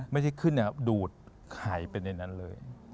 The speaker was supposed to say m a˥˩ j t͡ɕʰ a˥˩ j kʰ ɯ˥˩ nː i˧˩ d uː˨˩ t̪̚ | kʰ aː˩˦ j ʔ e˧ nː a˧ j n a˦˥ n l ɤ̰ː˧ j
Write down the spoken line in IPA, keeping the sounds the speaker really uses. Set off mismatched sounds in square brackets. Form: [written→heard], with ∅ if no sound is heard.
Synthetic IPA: m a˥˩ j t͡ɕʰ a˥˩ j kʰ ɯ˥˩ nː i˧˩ d uː˨˩ t̪̚ | kʰ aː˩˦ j [ʔ→p] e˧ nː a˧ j n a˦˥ n l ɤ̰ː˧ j